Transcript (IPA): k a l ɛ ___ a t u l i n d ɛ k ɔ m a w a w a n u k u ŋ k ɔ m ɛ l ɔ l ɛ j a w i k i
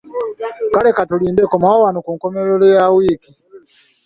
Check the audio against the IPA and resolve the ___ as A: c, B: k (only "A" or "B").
B